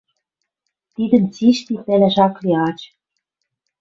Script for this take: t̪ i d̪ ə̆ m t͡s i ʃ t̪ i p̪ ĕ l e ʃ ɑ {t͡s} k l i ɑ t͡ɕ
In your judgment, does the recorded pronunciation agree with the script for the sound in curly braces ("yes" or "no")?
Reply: no